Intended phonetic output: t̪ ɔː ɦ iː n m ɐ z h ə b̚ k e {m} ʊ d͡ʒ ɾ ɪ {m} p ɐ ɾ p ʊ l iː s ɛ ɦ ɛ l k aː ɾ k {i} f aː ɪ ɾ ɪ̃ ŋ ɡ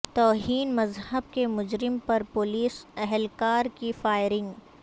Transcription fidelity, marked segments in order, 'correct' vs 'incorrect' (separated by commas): correct, correct, correct